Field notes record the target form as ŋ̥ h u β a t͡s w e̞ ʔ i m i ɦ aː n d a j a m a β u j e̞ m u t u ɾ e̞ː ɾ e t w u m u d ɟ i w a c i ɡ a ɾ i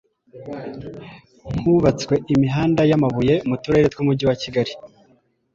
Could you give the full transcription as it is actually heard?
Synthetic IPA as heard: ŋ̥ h u β a t͡s w e̞ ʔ i m i ɦ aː n d a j a m a β u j e̞ m u t u ɾ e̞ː ɾ e t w u m u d ɟ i w a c i ɡ a ɾ i